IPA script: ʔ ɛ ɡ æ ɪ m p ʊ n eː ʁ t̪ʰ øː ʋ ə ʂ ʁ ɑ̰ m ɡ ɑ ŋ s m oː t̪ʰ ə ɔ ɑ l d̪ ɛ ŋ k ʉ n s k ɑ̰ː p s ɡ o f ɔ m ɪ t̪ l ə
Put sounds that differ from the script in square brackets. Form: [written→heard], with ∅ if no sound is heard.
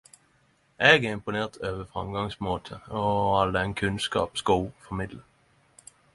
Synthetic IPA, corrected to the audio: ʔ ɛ ɡ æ ɪ m p ʊ n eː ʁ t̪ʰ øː ʋ ə [ʂ→f] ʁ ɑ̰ m ɡ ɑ ŋ s m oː t̪ʰ ə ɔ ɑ l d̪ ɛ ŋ [k→kʰ] ʉ n s k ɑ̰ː p s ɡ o f ɔ m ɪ [t̪→d̪] l ə